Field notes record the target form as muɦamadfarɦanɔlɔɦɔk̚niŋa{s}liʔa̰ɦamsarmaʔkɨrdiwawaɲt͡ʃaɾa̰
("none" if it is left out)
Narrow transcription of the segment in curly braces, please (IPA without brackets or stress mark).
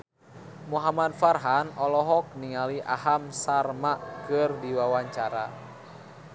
none